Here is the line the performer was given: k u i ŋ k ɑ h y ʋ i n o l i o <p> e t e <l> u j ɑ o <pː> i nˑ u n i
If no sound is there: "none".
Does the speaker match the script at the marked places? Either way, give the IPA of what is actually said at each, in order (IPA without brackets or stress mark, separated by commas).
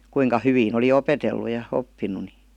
p, lː, pː